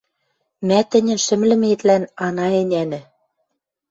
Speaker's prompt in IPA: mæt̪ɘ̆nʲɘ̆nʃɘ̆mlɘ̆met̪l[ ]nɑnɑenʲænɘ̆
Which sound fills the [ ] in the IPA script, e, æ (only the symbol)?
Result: æ